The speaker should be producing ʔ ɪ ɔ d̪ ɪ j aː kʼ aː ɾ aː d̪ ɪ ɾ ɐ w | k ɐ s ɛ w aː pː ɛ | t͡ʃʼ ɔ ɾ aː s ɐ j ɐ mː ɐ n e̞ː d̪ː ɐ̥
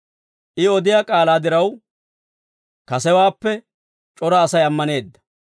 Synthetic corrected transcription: ʔ ɪ ɔ d̪ ɪ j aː kʼ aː l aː d̪ ɪ ɾ ɐ w | k ɐ s ɛ w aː pː ɛ | t͡ʃʼ ɔ ɾ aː s ɐ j ɐ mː ɐ n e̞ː d̪ː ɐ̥